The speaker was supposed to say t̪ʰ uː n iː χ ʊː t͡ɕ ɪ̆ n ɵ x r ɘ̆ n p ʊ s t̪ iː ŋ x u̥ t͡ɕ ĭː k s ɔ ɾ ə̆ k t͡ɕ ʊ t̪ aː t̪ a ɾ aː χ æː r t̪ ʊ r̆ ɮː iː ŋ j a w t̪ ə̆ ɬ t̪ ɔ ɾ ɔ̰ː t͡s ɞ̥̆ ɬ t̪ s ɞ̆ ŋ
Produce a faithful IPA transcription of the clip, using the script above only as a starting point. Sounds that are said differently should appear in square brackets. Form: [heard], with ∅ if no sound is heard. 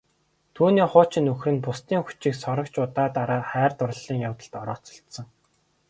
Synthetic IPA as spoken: t̪ʰ uː n iː χ ʊː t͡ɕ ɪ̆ n ɵ x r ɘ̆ n p ʊ s t̪ iː ŋ x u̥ t͡ɕ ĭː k s ɔ ɾ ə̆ k t͡ɕ ʊ t̪ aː t̪ a ɾ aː χ æː r t̪ ʊ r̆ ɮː iː ŋ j a w t̪ ə̆ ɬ t̪ ɔ ɾ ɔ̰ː t͡s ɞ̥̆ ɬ t̪ s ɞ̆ ŋ